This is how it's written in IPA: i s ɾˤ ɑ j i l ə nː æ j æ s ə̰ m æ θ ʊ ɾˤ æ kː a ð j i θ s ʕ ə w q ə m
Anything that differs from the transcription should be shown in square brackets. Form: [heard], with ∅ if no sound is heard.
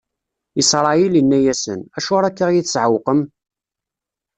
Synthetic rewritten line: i s ɾˤ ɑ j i l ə nː æ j æ s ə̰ [n] æ [ʃ] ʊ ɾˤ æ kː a [ʁ] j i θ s ʕ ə w q ə m

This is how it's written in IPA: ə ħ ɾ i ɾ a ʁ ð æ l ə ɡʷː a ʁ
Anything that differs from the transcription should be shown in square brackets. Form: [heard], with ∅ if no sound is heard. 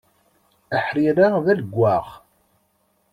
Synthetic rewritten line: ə ħ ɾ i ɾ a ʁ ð æ l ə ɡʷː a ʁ

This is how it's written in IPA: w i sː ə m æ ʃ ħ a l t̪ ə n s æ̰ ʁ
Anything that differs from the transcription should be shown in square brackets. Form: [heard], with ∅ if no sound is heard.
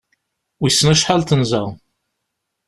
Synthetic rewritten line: w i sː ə [n] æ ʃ ħ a l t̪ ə n [z] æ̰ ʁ

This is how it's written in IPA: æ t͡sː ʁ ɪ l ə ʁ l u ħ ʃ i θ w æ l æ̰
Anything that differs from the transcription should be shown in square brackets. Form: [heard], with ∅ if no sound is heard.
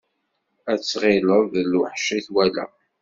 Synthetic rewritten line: æ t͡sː ʁ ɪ l ə [ð] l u ħ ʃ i θ w æ l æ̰

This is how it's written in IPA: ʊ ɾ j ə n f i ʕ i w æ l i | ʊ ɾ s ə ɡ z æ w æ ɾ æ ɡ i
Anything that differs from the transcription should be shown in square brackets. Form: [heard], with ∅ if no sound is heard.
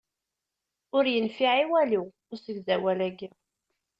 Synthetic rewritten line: ʊ ɾ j ə n f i ʕ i w æ l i | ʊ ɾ s ə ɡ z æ w æ [l] æ ɡ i

